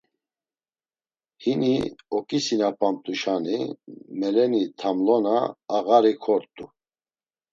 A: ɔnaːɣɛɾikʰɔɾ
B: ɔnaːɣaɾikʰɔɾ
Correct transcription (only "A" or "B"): B